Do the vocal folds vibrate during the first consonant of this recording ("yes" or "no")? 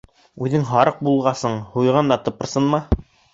yes